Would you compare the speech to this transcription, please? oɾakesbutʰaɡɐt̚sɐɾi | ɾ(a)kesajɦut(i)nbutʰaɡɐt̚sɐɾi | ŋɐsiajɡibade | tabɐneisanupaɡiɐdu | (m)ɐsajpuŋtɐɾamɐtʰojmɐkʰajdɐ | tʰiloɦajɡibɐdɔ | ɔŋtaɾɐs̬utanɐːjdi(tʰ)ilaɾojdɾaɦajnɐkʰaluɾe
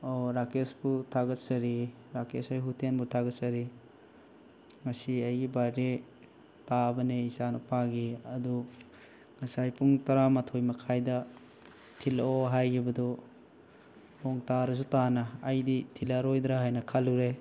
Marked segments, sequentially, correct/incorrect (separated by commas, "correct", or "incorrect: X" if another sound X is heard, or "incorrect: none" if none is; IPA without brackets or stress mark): correct, incorrect: e, incorrect: ŋ, correct